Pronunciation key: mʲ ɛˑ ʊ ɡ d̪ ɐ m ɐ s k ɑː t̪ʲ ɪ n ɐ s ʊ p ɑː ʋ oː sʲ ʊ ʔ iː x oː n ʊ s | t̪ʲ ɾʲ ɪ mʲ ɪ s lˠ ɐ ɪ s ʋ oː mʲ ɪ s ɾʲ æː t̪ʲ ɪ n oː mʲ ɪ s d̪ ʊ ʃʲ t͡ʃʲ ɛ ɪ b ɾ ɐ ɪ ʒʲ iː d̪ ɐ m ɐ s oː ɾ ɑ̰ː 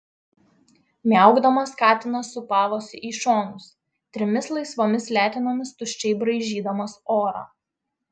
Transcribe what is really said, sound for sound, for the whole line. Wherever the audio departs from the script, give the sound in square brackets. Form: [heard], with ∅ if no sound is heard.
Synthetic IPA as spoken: mʲ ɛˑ ʊ ɡ d̪ ɐ m ɐ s k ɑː t̪ʲ ɪ n ɐ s ʊ p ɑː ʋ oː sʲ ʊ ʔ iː [ʃ] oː n ʊ s | t̪ʲ ɾʲ ɪ mʲ ɪ s lˠ ɐ ɪ s ʋ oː mʲ ɪ s [lʲ] æː t̪ʲ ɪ n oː mʲ ɪ s [t̪] ʊ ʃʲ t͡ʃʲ ɛ ɪ b ɾ ɐ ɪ ʒʲ iː d̪ ɐ m ɐ s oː ɾ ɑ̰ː